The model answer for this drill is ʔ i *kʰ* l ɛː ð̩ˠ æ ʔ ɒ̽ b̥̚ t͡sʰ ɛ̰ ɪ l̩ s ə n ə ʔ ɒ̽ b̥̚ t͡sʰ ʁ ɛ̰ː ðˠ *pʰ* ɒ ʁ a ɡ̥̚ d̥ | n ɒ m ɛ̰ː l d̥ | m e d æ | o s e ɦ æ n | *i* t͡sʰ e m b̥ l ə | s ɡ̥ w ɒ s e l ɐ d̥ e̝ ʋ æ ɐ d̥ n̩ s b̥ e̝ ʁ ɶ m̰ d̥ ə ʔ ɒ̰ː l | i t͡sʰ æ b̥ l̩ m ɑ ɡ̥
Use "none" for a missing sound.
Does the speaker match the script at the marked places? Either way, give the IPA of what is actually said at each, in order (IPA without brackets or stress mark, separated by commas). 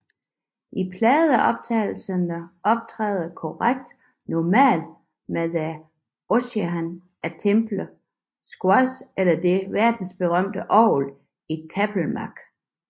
pʰ, kʰ, æ